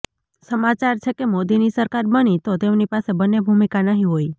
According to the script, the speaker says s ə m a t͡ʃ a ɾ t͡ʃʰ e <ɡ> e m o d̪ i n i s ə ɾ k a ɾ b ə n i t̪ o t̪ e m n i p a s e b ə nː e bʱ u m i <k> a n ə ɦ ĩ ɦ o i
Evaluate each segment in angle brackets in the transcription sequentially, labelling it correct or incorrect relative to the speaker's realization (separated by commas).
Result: incorrect, correct